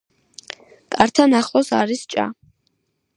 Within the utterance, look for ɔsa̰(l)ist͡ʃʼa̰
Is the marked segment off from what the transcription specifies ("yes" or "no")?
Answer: yes